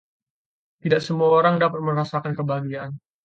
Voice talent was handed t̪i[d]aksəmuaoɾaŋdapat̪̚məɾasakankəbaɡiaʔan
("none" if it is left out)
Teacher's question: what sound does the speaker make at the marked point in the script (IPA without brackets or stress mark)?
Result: d